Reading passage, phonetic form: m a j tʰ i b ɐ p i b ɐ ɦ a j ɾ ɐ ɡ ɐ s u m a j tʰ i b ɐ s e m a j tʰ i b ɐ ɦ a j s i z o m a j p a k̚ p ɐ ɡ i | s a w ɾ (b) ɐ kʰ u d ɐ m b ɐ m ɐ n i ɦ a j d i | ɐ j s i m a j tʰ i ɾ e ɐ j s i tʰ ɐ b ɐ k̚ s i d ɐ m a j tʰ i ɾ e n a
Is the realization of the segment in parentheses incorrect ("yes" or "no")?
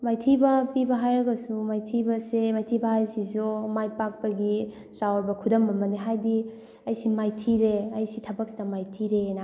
no